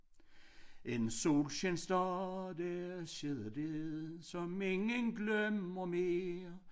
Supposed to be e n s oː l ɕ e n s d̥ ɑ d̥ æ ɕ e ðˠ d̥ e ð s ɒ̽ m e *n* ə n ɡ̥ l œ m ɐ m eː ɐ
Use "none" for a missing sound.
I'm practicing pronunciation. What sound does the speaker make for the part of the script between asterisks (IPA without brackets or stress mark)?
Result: ŋ